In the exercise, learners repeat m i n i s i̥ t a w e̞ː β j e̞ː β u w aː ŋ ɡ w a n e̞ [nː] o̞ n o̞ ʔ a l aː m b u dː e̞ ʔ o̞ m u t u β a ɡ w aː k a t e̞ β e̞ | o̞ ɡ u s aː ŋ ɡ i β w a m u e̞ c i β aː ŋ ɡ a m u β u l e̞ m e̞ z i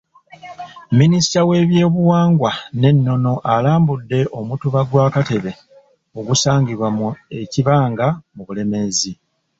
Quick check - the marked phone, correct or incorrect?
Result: correct